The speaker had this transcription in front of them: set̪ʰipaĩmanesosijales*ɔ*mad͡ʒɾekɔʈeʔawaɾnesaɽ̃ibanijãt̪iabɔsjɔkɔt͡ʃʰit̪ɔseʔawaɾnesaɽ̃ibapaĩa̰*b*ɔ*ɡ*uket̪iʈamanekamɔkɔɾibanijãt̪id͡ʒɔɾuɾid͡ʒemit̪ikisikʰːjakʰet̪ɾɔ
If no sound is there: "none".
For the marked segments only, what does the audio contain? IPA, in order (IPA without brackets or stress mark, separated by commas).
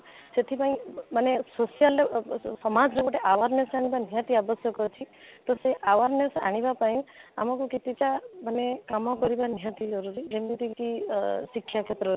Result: ɔ, m, k